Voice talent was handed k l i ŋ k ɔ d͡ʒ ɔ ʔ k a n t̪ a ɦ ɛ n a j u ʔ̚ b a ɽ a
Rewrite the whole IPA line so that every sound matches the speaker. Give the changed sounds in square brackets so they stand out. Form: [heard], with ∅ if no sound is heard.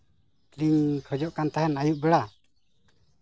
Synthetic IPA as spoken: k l i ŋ [kʰ] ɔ d͡ʒ ɔ ʔ k a n t̪ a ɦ ɛ n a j u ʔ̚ b [ɛ] ɽ a